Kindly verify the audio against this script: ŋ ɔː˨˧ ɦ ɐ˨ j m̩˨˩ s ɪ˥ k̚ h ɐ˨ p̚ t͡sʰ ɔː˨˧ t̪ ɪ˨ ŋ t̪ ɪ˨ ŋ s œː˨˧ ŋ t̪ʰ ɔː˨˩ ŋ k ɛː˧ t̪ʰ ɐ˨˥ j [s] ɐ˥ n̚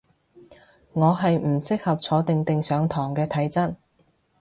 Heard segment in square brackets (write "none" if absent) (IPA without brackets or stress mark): t͡s